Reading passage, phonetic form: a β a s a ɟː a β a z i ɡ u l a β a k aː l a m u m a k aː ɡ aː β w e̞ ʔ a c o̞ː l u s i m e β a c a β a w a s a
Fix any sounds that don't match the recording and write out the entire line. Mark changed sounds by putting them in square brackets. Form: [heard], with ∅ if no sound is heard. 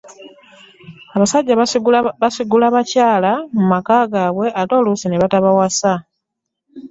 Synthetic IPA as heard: a β a s a ɟː a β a [s] i ɡ u l a β a [c] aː l a m u m a k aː ɡ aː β w e̞ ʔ a [t] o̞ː l u s i [n] e β a [t] a β a w a s a